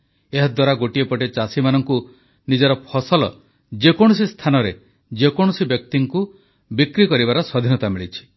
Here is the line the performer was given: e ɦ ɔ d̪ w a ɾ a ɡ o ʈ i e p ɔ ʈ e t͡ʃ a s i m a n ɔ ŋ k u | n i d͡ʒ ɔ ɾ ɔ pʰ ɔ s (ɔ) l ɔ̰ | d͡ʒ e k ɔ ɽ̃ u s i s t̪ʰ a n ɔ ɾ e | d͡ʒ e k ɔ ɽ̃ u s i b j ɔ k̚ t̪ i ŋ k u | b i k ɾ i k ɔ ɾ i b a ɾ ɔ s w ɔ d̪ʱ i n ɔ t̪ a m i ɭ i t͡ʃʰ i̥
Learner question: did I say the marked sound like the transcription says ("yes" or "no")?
yes